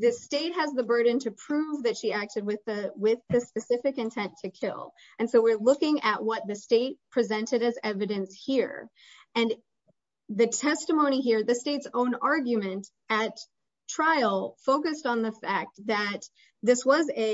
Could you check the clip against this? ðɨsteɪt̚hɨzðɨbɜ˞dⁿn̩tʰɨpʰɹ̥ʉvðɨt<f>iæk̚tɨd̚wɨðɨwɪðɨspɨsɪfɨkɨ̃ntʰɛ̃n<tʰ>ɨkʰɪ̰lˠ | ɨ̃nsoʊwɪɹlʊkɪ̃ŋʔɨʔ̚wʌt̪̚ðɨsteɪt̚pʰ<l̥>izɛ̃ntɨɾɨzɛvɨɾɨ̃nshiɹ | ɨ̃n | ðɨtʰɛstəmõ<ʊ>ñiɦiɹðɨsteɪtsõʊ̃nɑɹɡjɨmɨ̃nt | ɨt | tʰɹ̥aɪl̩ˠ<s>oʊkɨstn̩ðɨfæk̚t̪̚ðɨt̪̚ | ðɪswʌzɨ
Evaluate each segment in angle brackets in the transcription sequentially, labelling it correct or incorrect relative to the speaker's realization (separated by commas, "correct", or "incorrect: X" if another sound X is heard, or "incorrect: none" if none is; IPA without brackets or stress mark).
incorrect: ʃ, correct, incorrect: ɹ̥, incorrect: ʊ̃, incorrect: f